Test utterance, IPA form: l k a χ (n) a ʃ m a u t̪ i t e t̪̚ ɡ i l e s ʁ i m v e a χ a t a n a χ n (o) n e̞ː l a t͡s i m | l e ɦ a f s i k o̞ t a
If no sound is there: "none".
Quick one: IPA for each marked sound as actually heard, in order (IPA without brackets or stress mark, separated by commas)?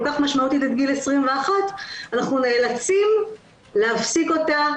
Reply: m, u